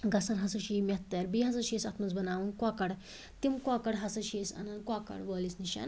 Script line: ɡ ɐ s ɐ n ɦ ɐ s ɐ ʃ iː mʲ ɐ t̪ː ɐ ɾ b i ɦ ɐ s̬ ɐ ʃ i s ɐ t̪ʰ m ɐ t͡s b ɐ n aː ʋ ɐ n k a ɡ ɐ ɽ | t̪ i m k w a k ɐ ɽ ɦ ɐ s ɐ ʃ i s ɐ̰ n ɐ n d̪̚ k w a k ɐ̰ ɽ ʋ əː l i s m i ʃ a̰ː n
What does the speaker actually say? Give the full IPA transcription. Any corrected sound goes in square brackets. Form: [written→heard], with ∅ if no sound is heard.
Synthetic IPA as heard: ɡ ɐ s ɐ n ɦ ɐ s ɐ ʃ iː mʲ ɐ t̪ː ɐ ɾ b i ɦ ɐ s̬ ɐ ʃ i s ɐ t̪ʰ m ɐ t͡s b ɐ n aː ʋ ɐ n k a [ɡ→k] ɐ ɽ | t̪ i m k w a k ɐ ɽ ɦ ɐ s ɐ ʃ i s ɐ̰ n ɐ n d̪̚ k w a k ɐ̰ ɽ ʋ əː l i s [m→n] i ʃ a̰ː n